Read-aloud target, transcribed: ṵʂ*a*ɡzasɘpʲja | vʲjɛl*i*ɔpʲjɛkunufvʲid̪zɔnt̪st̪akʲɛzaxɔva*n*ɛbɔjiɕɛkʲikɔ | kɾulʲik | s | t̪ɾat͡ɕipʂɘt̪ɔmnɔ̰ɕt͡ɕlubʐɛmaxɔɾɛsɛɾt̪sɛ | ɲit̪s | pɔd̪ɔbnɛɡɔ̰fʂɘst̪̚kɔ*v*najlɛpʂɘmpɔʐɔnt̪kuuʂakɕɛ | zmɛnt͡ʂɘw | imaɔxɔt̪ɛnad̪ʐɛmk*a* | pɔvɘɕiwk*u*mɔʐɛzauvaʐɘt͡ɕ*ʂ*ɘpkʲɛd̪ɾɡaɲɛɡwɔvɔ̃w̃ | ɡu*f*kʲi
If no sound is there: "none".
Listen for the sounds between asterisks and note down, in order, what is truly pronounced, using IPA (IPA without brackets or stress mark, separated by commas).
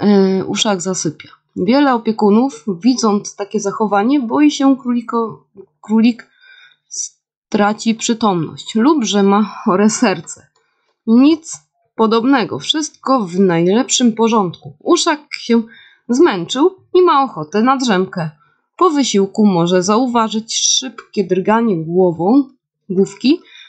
a, ɛ, ɲ, v, ɛ, u, ʂ, f